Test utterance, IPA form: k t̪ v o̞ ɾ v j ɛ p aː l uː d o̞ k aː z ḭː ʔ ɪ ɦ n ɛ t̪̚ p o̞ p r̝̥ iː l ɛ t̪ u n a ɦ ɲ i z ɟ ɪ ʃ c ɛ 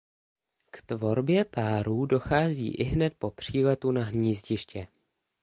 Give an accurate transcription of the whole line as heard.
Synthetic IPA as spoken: k t̪ v o̞ ɾ b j ɛ p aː ɾ uː d o̞ x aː z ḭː ʔ ɪ ɦ n ɛ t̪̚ p o̞ p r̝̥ iː l ɛ t̪ u n a ɦ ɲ iː z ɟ ɪ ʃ c ɛ

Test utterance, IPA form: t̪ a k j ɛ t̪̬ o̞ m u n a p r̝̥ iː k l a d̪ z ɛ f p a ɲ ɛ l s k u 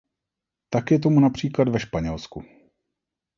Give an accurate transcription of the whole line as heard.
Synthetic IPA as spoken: t̪ a k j ɛ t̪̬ o̞ m u n a p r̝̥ iː k l a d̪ v ɛ ʃ p a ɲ ɛ l s k u

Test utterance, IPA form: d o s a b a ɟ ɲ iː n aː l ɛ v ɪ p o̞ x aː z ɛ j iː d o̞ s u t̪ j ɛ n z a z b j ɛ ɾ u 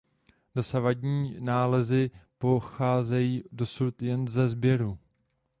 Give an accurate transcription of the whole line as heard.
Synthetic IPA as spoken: d o s a v a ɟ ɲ iː n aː l ɛ z ɪ p o̞ x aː z ɛ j iː d o̞ s u t̪ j ɛ n z ɛ z b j ɛ ɾ u

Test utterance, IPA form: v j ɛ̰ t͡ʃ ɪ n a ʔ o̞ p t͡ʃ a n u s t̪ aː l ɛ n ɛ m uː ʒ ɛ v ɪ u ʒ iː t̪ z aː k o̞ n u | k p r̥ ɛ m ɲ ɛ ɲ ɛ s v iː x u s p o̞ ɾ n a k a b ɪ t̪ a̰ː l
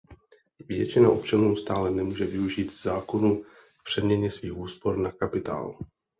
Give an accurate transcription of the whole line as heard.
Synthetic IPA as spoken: v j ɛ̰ t͡ʃ ɪ n a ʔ o̞ p t͡ʃ a n uː s t̪ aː l ɛ n ɛ m uː ʒ ɛ v ɪ u ʒ iː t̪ z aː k o̞ n u | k p r̥ ɛ m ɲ ɛ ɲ ɛ s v iː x uː s p o̞ ɾ n a k a p ɪ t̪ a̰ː l

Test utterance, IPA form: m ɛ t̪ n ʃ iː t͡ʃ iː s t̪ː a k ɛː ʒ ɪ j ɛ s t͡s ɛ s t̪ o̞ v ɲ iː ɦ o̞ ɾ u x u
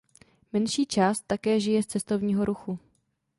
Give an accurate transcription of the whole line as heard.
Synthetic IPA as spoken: m ɛ n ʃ iː t͡ʃ aː s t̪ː a k ɛː ʒ ɪ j ɛ s t͡s ɛ s t̪ o̞ v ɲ iː ɦ o̞ ɾ u x u

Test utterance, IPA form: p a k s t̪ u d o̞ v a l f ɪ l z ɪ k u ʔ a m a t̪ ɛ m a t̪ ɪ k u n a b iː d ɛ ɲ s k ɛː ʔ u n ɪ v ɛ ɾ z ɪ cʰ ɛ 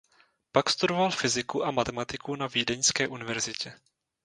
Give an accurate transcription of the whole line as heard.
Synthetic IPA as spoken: p a k s t̪ u d o̞ v a l f ɪ z ɪ k u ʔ a m a t̪ ɛ m a t̪ ɪ k u n a v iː d ɛ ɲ s k ɛː ʔ u n ɪ v ɛ ɾ z ɪ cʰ ɛ

